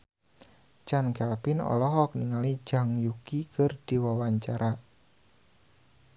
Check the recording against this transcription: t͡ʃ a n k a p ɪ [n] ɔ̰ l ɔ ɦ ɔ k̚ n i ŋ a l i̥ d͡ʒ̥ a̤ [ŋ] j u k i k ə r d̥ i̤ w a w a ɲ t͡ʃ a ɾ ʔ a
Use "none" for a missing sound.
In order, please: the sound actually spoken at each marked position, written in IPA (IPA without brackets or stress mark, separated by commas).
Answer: n, ŋ